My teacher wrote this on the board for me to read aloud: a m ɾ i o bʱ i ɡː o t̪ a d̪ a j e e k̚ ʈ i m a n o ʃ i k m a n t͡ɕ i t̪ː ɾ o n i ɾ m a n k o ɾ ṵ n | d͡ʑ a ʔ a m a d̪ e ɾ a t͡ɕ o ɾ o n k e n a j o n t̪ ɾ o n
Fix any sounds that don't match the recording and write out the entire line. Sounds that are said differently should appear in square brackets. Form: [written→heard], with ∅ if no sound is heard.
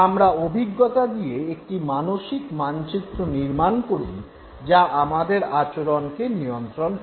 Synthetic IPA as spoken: a m ɾ [i→a] o bʱ i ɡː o t̪ a d̪ [a→i] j e e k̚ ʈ i m a n o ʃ i k m a n t͡ɕ i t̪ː ɾ o n i ɾ m a n k o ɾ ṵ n | d͡ʑ a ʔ a m a d̪ e ɾ a t͡ɕ o ɾ o n k e n [a→i] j o n t̪ ɾ o n